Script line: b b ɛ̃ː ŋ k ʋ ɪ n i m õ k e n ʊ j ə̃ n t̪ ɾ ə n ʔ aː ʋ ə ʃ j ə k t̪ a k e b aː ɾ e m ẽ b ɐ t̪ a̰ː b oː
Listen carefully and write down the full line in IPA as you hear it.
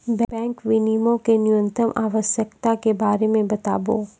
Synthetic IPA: b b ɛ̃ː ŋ k ʋ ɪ n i m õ k e n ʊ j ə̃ n t̪ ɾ ə m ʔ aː ʋ ə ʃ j ə k t̪ a k e b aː ɾ e m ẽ b ɐ t̪ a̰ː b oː